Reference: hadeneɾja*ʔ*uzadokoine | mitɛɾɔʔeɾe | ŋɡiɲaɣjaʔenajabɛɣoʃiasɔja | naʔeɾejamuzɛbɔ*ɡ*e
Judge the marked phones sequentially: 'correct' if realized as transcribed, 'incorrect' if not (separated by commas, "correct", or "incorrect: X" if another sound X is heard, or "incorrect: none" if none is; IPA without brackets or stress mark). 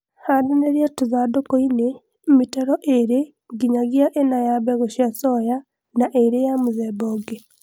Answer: incorrect: t, correct